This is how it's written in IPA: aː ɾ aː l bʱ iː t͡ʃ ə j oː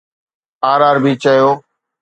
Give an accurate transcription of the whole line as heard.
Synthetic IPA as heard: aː ɾ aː ɾ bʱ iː t͡ʃ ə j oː